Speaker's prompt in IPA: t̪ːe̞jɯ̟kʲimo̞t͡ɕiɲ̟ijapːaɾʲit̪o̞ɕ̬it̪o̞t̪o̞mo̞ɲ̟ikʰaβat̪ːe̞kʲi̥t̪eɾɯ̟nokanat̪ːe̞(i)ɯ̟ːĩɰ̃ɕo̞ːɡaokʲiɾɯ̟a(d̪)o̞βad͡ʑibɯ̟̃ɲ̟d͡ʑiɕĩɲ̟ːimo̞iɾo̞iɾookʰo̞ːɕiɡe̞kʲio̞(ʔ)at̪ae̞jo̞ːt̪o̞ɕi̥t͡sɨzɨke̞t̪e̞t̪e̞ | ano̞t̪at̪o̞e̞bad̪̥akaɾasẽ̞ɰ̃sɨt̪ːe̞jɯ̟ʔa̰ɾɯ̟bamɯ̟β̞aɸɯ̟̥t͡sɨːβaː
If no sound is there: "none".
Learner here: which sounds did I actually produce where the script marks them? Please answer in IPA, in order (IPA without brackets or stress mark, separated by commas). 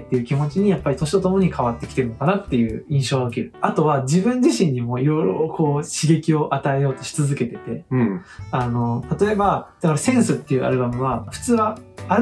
j, t̪, ʔ